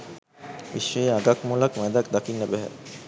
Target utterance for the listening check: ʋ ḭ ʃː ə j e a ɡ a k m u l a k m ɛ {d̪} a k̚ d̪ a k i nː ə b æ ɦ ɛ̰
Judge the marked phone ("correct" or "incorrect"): correct